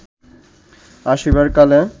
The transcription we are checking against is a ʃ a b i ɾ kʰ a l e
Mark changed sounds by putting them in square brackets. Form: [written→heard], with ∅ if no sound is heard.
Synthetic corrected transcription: a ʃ [a→i] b [i→a] ɾ [kʰ→k] a l e